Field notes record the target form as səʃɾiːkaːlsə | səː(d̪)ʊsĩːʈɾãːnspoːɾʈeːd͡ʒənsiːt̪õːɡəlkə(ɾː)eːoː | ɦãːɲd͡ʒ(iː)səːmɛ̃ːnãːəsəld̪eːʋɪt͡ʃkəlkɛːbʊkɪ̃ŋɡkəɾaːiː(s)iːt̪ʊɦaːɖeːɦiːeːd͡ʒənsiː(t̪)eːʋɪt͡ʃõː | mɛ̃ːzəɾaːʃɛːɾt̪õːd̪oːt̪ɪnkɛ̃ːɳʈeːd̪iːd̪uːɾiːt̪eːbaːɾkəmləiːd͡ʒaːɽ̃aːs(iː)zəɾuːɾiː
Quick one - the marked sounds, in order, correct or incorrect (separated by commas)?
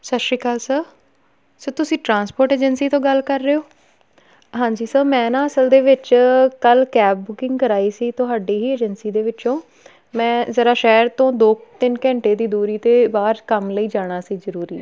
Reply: incorrect, correct, correct, correct, incorrect, correct